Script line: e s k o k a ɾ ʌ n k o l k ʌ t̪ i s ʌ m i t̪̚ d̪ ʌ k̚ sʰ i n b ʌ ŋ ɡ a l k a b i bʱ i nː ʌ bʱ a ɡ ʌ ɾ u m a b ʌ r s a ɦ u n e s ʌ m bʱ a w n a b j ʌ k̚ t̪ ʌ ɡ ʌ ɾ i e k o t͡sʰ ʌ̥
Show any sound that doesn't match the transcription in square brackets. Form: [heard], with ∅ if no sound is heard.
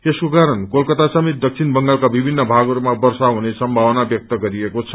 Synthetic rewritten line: e s k o k a ɾ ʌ n k o l k ʌ t̪ [a] s ʌ m i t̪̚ d̪ ʌ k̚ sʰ i n b ʌ ŋ ɡ a l k a b i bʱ i nː ʌ bʱ a ɡ ʌ ɾ u m a b ʌ r s a ɦ u n e s ʌ m bʱ a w n a b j ʌ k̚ t̪ ʌ ɡ ʌ ɾ i e k o t͡sʰ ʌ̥